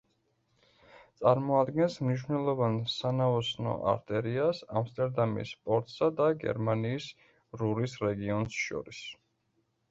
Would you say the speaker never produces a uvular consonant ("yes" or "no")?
yes